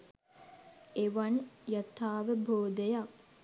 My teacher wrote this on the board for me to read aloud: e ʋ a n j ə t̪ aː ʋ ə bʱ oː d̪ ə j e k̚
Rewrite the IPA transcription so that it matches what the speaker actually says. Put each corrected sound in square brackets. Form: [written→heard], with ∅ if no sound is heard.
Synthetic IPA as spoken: e ʋ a n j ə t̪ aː ʋ ə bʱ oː d̪ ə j [e→a] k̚